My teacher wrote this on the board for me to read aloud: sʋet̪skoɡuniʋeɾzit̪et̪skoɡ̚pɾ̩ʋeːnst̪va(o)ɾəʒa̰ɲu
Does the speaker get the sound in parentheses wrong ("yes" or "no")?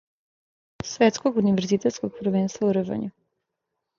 yes